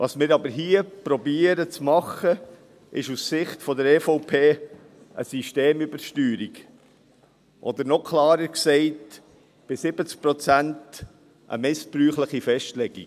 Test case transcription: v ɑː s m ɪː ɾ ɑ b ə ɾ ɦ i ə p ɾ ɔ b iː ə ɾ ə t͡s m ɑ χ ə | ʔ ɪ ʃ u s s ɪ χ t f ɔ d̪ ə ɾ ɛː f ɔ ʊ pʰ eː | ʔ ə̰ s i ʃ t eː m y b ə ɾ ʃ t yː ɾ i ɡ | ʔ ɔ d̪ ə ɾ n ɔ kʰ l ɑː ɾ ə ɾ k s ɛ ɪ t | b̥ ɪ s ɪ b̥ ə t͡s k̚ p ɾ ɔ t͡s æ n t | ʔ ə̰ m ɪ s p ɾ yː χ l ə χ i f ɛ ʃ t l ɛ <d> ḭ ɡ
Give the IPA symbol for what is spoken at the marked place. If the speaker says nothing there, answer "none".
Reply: ɡ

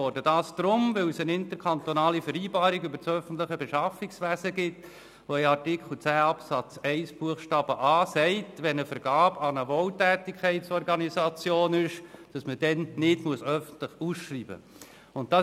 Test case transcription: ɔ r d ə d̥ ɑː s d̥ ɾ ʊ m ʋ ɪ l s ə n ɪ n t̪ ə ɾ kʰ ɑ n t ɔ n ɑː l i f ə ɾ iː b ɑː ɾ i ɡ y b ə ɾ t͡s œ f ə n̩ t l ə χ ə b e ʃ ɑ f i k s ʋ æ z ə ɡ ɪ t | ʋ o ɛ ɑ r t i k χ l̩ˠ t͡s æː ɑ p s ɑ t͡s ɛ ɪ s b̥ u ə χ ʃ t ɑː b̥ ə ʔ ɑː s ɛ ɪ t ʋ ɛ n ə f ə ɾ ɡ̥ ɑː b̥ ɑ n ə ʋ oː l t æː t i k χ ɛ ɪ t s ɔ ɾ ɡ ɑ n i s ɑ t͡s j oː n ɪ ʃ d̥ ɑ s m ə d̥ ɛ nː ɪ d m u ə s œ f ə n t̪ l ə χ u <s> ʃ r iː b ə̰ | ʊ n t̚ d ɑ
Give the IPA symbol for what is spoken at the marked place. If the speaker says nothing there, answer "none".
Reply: s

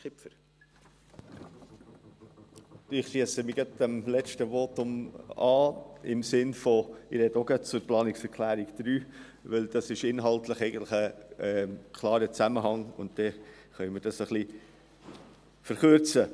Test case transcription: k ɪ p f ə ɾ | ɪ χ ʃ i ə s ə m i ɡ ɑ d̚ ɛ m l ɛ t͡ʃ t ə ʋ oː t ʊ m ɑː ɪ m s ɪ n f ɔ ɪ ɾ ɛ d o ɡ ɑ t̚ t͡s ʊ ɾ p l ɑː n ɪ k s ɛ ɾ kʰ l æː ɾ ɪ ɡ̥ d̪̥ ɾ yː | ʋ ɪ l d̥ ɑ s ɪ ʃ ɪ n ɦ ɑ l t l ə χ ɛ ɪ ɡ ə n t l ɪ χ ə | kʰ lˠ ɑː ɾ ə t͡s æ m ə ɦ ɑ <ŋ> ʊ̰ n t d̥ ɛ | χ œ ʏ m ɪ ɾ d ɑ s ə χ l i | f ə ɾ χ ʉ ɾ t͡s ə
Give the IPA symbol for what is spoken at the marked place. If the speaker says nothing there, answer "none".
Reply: ŋ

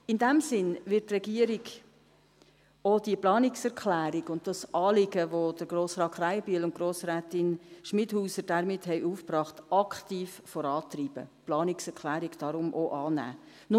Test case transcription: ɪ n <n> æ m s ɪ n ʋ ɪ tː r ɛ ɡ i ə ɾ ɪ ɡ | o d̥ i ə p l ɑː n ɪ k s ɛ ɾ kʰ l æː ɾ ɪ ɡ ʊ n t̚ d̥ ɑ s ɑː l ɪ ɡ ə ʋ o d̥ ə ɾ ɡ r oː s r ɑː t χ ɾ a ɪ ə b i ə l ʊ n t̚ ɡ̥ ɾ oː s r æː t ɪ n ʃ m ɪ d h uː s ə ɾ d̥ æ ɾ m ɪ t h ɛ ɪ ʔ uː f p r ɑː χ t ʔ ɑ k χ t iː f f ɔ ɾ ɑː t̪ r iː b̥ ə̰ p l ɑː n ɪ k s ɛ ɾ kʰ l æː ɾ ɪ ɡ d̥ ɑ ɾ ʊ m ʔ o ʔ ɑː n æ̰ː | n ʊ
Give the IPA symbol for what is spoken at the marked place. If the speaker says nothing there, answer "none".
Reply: d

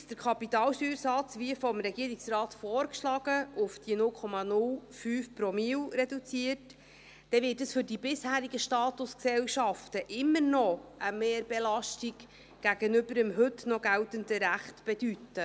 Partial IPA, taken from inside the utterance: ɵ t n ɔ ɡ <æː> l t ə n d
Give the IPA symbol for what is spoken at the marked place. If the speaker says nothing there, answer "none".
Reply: æ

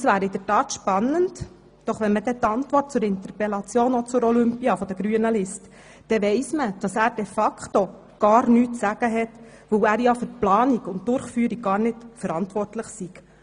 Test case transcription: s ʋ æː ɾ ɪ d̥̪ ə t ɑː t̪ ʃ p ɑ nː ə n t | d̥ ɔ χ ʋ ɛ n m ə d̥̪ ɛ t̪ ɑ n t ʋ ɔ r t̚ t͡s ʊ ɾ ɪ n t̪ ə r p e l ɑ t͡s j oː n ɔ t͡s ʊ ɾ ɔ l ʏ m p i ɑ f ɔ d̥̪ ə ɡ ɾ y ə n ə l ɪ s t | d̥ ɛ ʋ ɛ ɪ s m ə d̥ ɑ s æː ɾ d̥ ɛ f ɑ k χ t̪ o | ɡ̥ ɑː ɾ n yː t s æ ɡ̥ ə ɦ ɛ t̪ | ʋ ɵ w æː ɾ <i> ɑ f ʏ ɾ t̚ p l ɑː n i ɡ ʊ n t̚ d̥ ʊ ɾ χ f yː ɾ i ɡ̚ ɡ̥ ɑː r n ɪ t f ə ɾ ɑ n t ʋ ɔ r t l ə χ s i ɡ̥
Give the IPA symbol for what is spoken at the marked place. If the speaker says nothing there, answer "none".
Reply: j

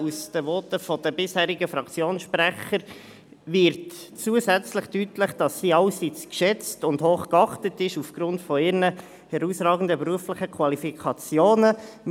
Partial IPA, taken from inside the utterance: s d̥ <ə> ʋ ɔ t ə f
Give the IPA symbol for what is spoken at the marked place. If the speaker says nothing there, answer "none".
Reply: ə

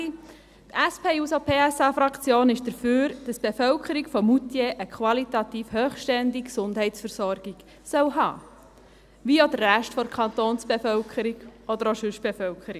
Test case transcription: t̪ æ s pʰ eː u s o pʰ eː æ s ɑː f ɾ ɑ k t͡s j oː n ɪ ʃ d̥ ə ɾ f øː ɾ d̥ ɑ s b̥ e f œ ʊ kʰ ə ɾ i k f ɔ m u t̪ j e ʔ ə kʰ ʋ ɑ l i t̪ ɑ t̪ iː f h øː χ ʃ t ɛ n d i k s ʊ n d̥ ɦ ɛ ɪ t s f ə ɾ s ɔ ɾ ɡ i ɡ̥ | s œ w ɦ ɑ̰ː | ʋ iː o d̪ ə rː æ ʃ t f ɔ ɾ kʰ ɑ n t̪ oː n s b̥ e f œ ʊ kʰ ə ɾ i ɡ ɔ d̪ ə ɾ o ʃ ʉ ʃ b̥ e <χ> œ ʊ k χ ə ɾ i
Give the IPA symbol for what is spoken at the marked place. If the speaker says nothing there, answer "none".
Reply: f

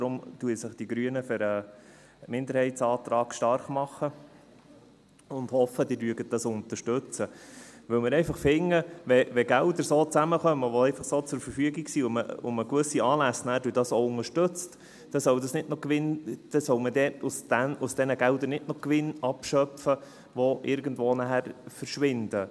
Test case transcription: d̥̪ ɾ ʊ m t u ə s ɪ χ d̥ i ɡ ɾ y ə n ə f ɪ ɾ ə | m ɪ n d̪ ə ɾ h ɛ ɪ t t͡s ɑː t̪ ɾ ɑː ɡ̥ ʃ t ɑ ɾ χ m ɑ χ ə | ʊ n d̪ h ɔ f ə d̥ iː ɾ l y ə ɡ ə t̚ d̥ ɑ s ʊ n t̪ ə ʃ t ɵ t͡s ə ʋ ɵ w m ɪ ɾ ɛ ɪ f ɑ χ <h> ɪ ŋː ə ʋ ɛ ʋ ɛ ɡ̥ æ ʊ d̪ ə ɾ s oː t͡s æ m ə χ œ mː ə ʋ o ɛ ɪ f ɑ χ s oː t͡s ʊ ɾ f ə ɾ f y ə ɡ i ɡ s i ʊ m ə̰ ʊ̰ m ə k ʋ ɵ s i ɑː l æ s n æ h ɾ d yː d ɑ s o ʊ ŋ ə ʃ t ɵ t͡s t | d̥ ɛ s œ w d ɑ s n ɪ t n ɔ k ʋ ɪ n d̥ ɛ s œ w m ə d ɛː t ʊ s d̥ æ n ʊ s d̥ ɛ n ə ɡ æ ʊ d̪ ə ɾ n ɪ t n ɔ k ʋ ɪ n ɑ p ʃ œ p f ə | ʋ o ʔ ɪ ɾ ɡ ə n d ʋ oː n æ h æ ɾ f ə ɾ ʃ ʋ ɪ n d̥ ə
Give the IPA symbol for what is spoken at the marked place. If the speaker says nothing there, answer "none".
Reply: f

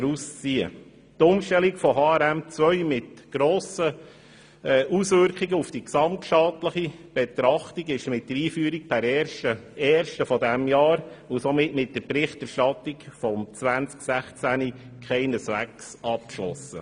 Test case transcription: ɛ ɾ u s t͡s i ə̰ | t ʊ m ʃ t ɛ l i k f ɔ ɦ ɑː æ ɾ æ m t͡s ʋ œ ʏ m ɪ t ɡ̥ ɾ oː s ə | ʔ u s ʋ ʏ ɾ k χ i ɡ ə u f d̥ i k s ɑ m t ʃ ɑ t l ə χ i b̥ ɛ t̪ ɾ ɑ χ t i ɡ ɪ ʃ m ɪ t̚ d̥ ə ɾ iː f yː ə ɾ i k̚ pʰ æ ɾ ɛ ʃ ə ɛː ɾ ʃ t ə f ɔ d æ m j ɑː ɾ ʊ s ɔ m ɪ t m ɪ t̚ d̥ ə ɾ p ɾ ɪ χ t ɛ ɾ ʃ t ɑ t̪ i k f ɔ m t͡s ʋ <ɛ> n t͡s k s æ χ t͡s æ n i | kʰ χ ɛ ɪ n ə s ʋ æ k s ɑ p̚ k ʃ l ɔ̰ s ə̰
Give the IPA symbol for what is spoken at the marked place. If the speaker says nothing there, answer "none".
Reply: æ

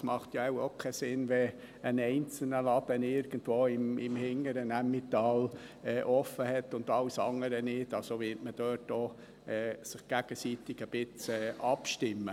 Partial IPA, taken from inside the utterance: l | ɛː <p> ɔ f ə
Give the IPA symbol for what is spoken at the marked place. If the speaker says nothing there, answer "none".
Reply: ʔ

